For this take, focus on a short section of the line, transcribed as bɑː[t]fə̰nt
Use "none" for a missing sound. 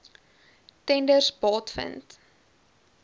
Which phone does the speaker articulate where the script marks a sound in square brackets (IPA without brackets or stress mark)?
t